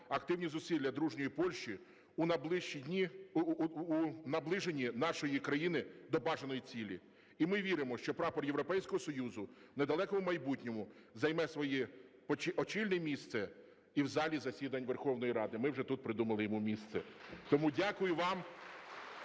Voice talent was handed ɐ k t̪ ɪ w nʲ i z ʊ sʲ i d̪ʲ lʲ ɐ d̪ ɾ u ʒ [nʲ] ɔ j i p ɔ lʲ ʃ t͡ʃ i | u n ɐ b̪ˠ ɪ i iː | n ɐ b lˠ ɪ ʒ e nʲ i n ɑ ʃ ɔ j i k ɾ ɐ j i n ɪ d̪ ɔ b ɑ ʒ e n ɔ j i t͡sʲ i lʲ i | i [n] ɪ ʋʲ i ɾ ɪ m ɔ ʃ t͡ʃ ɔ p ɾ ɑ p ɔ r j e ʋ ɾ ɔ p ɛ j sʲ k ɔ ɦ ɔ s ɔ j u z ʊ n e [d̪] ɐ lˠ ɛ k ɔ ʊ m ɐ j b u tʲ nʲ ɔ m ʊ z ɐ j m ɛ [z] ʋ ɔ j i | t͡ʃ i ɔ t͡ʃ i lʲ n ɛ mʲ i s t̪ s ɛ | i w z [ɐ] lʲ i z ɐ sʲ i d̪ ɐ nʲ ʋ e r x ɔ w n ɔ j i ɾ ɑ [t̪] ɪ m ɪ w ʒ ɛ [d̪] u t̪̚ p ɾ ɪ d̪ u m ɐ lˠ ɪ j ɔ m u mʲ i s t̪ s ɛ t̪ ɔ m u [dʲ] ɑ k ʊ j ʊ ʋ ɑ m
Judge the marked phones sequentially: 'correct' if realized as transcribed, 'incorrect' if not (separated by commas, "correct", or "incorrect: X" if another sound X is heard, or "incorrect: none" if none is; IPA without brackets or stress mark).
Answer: correct, incorrect: m, correct, incorrect: s, incorrect: ɑ, incorrect: d̪, incorrect: t̪, correct